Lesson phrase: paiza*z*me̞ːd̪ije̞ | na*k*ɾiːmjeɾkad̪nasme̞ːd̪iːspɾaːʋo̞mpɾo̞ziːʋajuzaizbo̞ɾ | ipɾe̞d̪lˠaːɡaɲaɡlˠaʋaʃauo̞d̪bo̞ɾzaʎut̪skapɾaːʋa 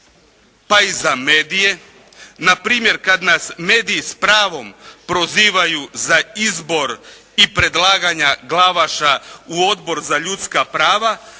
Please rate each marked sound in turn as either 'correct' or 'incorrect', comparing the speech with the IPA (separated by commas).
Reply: incorrect, incorrect